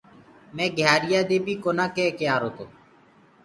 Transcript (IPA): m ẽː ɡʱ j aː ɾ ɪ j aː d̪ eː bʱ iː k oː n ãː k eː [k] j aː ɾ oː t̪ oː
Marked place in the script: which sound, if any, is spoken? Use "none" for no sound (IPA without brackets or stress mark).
k